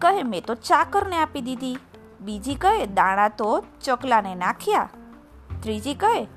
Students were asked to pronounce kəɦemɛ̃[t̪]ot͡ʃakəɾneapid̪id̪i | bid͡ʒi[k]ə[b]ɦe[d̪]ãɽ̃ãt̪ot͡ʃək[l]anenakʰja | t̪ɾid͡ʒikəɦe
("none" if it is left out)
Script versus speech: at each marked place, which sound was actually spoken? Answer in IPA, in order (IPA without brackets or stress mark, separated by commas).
t̪, k, none, d̪, l